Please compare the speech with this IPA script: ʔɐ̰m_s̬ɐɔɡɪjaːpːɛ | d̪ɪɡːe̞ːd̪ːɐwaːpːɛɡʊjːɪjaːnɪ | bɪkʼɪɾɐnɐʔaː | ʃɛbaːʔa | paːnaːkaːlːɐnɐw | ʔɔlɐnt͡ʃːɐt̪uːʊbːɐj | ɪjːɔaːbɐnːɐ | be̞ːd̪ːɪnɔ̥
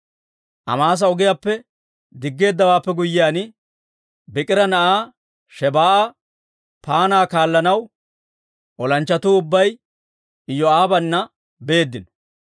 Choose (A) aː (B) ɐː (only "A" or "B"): A